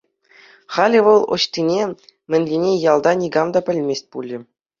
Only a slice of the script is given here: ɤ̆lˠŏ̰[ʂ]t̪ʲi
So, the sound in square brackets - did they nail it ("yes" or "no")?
no